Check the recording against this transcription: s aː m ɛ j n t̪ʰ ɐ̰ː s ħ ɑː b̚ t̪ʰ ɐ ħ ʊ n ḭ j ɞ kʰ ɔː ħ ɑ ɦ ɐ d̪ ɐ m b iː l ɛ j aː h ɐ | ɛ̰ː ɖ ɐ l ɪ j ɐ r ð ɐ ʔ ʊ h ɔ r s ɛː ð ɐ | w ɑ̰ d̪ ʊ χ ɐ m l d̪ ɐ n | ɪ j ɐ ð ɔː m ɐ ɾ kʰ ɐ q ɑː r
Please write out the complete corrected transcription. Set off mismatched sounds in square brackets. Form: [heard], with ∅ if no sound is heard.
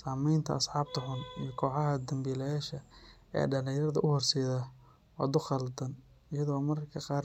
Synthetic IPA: s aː m ɛ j n t̪ʰ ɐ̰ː s ħ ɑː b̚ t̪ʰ ɐ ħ ʊ n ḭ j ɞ kʰ ɔː ħ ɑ ɦ ɐ d̪ ɐ m b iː l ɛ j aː [ʃ] ɐ | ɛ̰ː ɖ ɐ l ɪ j ɐ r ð ɐ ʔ ʊ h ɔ r s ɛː ð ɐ | w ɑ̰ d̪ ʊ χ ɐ [∅] l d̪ ɐ n | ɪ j ɐ ð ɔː m ɐ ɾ kʰ ɐ q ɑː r